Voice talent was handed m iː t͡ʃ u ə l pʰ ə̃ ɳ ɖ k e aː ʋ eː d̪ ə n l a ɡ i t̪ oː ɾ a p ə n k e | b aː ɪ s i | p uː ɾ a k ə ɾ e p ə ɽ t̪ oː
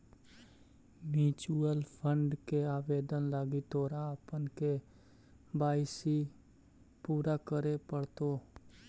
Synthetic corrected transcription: m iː t͡ʃ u ə l pʰ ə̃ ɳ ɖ k e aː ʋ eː d̪ ə n l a ɡ i t̪ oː ɾ a p ə n k e | b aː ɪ s i | p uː ɾ a k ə ɾ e p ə ɽ t̪ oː